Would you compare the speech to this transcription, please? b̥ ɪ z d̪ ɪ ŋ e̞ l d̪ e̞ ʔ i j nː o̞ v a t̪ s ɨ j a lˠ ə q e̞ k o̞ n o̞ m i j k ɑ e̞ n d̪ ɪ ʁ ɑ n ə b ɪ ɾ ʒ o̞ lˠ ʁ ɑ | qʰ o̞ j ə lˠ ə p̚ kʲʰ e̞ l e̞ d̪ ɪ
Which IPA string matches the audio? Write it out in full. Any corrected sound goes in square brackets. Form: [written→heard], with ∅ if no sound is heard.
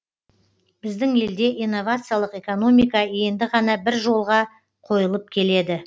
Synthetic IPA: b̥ ɪ z d̪ ɪ ŋ e̞ l d̪ e̞ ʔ i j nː o̞ v a t̪ s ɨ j a lˠ ə q e̞ k o̞ n o̞ m i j k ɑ e̞ n d̪ ɪ ʁ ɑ n [ə→ɑ] b ɪ ɾ ʒ o̞ lˠ ʁ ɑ | qʰ o̞ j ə lˠ ə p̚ kʲʰ e̞ l e̞ d̪ ɪ